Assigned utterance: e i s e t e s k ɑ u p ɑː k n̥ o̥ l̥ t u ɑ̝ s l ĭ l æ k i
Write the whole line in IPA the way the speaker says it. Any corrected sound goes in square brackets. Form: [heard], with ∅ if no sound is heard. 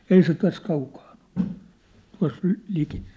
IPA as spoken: e i s e t [æ] s k ɑ u [k] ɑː [∅] n̥ o̥ l̥ t u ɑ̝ s l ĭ l [i] k i